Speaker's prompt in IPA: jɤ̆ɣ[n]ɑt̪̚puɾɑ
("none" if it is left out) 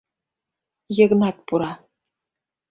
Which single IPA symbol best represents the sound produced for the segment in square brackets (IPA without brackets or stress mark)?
n